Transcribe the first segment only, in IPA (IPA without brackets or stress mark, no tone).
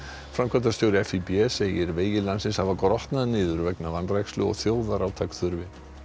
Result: f